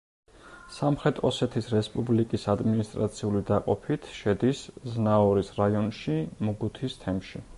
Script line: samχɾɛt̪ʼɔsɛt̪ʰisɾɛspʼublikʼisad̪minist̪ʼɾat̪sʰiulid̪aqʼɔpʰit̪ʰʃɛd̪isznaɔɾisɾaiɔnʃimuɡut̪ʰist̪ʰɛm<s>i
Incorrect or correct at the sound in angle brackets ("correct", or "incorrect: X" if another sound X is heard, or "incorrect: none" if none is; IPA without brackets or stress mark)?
incorrect: ʃ